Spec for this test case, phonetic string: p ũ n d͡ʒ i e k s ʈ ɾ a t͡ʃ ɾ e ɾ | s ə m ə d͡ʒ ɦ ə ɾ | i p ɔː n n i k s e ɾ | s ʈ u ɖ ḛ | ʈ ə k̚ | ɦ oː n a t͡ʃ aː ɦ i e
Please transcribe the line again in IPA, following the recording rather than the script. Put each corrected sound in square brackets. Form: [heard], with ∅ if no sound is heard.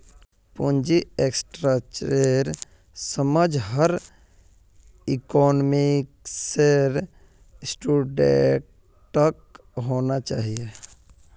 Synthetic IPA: p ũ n d͡ʒ i e k s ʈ ɾ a t͡ʃ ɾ e ɾ | s ə m ə d͡ʒ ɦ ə ɾ | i [k] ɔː n [m] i k s e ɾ | s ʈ u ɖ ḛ | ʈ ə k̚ | ɦ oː n a t͡ʃ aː ɦ i e